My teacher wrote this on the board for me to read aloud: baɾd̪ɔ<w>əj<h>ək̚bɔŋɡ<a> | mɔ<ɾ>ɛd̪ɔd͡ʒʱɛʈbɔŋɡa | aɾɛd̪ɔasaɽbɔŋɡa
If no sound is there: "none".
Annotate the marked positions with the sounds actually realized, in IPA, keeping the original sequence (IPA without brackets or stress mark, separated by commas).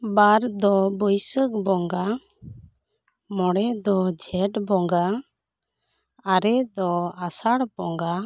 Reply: b, s, a, ɽ